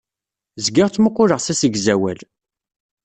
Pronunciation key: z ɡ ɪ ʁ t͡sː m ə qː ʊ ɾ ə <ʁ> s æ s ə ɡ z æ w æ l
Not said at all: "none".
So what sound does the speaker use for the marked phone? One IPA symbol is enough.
ʁ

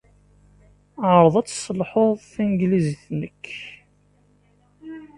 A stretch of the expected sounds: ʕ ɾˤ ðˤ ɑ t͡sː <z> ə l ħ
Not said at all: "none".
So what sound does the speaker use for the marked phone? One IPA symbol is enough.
s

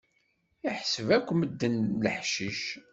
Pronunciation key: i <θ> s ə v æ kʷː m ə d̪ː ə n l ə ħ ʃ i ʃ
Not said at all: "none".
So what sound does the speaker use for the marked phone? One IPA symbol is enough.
ħ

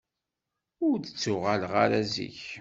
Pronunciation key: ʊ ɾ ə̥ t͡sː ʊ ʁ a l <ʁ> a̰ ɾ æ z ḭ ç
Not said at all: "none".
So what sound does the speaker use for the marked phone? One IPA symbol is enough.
ʁ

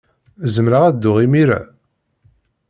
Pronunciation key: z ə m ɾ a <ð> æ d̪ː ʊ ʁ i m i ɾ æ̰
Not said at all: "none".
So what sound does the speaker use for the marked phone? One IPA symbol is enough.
ʁ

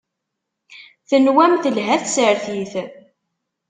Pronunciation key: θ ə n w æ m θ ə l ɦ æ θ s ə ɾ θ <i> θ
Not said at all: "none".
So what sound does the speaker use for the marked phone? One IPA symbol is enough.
i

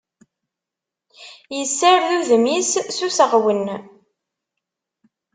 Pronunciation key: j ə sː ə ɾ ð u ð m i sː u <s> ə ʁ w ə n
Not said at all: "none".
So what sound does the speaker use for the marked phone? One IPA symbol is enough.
s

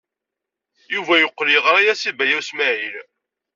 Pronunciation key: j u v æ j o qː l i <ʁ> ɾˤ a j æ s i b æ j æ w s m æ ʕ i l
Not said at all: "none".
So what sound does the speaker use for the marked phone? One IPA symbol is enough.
ʁ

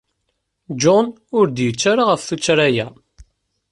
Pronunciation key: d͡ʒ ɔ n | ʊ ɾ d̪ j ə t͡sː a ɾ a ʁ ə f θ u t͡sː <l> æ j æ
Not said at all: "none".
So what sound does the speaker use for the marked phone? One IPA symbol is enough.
ɾ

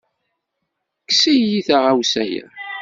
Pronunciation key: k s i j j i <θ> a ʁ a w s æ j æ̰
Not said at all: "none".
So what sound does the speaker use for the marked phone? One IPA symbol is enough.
θ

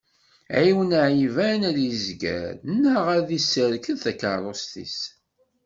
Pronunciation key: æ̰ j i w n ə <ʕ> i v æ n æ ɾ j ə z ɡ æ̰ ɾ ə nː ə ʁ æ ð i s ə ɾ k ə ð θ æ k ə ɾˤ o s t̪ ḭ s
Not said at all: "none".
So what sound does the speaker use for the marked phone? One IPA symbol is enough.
ʕ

